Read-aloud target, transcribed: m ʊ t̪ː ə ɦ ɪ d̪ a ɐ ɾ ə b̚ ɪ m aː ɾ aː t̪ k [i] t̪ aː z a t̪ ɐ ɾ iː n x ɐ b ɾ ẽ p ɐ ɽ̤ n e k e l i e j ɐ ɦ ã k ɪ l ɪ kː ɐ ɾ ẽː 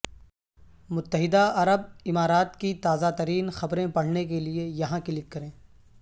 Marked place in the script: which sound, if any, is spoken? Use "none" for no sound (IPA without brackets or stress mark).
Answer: i